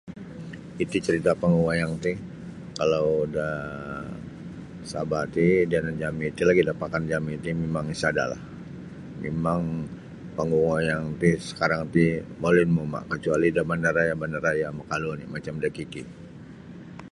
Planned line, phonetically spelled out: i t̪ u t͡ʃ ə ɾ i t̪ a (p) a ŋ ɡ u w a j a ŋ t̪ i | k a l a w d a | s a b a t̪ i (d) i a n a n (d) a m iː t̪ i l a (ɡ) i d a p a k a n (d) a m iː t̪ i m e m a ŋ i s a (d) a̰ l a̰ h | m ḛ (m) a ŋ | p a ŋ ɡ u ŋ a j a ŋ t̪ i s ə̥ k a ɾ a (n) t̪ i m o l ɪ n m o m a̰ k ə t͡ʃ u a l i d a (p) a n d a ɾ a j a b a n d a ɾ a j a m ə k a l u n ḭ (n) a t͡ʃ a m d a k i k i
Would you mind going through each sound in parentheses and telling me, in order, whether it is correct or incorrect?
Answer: correct, correct, incorrect: d͡ʒ, correct, incorrect: d͡ʒ, correct, correct, incorrect: ŋ, incorrect: b, incorrect: m

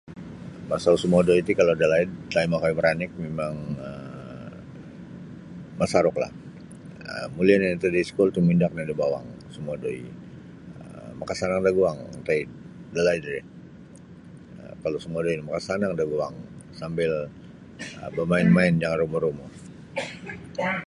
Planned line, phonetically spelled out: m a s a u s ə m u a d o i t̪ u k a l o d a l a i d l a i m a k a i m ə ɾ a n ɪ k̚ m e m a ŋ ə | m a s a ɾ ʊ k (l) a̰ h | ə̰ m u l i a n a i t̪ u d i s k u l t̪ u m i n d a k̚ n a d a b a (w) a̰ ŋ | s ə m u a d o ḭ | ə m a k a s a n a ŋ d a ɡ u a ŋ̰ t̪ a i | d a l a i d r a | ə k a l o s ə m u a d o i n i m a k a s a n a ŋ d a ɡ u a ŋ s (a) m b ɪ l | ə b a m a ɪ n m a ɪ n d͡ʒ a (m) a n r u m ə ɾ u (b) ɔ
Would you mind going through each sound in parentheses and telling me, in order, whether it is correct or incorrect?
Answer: correct, correct, correct, incorrect: ŋ, incorrect: m

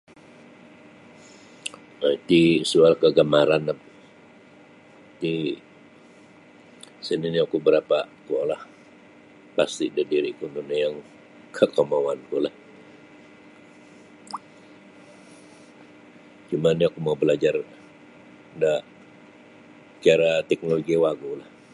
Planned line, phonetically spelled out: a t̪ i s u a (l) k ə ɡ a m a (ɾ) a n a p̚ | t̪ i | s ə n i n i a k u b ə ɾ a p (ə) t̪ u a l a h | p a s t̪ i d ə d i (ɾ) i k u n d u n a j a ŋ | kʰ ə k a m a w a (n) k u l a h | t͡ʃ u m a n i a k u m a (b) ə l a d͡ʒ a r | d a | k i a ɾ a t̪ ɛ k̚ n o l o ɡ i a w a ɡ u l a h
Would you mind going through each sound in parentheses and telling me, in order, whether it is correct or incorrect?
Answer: correct, correct, incorrect: a, correct, correct, correct

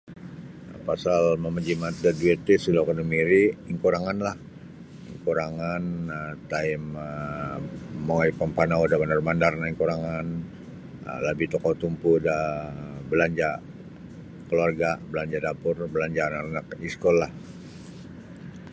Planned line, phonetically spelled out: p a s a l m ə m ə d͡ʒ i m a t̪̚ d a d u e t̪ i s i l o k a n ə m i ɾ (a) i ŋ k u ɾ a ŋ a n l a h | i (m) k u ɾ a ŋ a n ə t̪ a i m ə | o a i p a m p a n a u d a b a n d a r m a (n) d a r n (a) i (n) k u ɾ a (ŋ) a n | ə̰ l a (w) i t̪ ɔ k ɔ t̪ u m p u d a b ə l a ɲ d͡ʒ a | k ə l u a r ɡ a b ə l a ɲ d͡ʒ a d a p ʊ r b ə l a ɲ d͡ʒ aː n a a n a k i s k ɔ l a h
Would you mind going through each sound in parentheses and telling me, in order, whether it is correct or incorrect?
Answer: incorrect: i, incorrect: ŋ, correct, correct, incorrect: ŋ, correct, incorrect: b

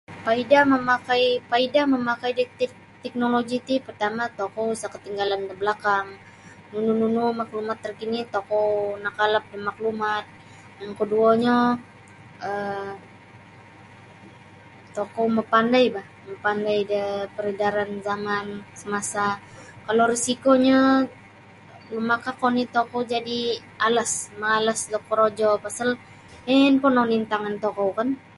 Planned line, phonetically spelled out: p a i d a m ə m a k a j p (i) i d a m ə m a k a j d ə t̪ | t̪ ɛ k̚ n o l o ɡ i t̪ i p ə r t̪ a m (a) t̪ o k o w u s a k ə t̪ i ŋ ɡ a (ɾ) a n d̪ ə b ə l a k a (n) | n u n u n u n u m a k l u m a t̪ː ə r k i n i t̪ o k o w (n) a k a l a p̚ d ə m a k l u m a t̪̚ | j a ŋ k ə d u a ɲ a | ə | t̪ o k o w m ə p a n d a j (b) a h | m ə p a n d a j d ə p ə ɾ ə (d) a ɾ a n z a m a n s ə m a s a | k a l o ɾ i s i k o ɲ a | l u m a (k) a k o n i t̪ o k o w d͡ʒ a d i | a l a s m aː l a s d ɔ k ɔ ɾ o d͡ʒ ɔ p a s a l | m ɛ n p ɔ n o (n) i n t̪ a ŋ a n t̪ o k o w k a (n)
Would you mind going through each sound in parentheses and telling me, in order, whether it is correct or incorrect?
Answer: incorrect: a, correct, incorrect: l, incorrect: ŋ, correct, correct, correct, correct, correct, correct

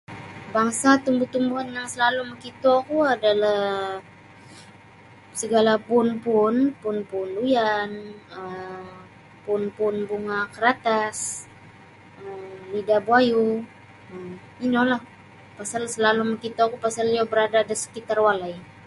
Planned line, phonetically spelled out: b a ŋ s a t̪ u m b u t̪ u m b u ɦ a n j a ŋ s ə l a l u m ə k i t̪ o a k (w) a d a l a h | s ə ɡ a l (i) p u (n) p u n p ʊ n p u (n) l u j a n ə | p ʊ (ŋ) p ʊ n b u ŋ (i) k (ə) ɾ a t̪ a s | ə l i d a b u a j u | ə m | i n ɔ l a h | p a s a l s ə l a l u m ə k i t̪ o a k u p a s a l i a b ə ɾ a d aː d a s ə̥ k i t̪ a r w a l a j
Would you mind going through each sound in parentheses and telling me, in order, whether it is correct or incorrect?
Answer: incorrect: u, incorrect: a, correct, correct, incorrect: n, incorrect: a, correct

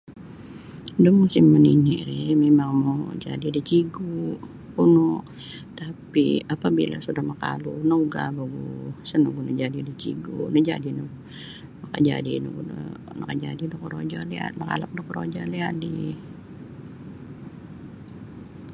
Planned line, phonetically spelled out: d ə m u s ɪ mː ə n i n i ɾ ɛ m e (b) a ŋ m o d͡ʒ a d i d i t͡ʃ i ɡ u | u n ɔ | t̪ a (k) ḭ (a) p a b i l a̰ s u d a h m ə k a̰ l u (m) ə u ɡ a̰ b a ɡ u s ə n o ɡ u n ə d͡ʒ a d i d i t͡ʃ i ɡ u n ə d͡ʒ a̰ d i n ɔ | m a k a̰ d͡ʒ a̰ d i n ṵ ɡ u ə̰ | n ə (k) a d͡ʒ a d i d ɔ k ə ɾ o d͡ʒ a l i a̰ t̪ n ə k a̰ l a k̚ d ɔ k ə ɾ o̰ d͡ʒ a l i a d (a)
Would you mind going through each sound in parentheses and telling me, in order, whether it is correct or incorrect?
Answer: incorrect: m, incorrect: p, correct, incorrect: n, correct, incorrect: i

